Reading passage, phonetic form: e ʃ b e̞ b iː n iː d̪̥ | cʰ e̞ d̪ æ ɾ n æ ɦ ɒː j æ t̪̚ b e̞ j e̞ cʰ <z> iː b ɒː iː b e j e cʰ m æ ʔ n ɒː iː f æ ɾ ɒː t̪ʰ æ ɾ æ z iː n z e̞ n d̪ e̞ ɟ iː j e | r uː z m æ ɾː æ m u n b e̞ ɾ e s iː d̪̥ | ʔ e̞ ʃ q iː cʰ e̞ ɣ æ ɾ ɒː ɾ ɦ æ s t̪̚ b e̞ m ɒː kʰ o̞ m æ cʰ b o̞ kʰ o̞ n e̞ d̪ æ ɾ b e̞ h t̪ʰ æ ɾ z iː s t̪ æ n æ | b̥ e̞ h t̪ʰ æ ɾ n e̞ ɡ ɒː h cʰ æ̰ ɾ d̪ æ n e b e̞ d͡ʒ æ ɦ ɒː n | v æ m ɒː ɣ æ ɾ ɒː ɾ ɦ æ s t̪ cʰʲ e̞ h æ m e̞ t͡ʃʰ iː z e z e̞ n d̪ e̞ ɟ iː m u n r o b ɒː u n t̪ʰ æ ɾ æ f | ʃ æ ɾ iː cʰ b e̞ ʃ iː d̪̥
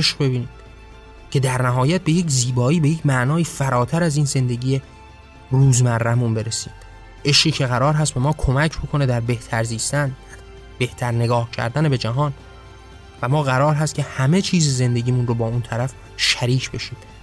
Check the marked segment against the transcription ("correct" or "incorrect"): correct